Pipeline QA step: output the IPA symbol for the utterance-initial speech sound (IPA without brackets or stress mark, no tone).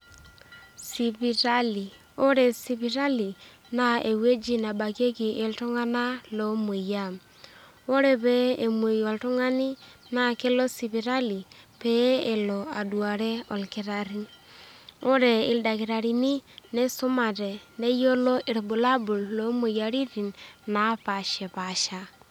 s